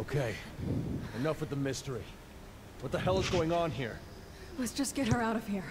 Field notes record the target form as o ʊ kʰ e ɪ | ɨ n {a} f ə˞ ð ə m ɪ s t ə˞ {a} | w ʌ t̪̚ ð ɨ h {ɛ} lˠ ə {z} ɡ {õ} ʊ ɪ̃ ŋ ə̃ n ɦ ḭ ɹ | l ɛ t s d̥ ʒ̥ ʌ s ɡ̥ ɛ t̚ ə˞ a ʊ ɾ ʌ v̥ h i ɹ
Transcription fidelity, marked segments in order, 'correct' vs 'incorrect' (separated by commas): incorrect, incorrect, correct, correct, incorrect